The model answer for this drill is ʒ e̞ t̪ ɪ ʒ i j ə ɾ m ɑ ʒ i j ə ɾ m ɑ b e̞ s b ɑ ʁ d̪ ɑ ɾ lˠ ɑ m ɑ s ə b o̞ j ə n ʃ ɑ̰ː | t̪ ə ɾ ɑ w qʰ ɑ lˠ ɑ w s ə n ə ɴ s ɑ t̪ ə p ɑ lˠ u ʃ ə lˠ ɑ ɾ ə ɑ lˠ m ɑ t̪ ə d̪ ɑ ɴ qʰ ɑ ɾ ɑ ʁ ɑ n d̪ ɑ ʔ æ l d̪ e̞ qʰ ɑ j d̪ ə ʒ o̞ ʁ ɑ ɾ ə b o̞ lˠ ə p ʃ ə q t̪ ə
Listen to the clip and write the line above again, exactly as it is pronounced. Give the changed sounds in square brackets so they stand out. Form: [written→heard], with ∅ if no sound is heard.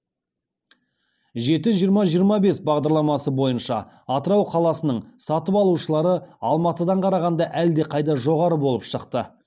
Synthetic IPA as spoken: ʒ e̞ t̪ ɪ ʒ i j ə ɾ m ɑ ʒ i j ə ɾ m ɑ b e̞ s b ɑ ʁ d̪ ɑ ɾ lˠ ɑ m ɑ s ə b o̞ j ə n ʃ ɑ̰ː | t̪ ə ɾ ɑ w qʰ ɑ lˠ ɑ [w→∅] s ə n ə ɴ s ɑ t̪ ə p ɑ lˠ u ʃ ə lˠ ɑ ɾ ə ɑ lˠ m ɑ t̪ ə d̪ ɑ ɴ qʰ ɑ ɾ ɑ ʁ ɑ n d̪ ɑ ʔ æ l d̪ e̞ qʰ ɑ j d̪ [ə→ɑ] ʒ o̞ ʁ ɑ ɾ ə b o̞ lˠ ə p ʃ ə q t̪ ə